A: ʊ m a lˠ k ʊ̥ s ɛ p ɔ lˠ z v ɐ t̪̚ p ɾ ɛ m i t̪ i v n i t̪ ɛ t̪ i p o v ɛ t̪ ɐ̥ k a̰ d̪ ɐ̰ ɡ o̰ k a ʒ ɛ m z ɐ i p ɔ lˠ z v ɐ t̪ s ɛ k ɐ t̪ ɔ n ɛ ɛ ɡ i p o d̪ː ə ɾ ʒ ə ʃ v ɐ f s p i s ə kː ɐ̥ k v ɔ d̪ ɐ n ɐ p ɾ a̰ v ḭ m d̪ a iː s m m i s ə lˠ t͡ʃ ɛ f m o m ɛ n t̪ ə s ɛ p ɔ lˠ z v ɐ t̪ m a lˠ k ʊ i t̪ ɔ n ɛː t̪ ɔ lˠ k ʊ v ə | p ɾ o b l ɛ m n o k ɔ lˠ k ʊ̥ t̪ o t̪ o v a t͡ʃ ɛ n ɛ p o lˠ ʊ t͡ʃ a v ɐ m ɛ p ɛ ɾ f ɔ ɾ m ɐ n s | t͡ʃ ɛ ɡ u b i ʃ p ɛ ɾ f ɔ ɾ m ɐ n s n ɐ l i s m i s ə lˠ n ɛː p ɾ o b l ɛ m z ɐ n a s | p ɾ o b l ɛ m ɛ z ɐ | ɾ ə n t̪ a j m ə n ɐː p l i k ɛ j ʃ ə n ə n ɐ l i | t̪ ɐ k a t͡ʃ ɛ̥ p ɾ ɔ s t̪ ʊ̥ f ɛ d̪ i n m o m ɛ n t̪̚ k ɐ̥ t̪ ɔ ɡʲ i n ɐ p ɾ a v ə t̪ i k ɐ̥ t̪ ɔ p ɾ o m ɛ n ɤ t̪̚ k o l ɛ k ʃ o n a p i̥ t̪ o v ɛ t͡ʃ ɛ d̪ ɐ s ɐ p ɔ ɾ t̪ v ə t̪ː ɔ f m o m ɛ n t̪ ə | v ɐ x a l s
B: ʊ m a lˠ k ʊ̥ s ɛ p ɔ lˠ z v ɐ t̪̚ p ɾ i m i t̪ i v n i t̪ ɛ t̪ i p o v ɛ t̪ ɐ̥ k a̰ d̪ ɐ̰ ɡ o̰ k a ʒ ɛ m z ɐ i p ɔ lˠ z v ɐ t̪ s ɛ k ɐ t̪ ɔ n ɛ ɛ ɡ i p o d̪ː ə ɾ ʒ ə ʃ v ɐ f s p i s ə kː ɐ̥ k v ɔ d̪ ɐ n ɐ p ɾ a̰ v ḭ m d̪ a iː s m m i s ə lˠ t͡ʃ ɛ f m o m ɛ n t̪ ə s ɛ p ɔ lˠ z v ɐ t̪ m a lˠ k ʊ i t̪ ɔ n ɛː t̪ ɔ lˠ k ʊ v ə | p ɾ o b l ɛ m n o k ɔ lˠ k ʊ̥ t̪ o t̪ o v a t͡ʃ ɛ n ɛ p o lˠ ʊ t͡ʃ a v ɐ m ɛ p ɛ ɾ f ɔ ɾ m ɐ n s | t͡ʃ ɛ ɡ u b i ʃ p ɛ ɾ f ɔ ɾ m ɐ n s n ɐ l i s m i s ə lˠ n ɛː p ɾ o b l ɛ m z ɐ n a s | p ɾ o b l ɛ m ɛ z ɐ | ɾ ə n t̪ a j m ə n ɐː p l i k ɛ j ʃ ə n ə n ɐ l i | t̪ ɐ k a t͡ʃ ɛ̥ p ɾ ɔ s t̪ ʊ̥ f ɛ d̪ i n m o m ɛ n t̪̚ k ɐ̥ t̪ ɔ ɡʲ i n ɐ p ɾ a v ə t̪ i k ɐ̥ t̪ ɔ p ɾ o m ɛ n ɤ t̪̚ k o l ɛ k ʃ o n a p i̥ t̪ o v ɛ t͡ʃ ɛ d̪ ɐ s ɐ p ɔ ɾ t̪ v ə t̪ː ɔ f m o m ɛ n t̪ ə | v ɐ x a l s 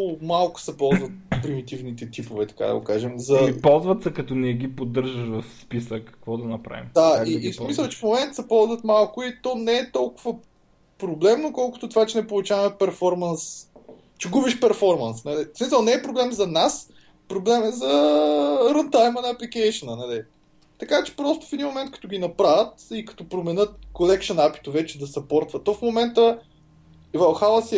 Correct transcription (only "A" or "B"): B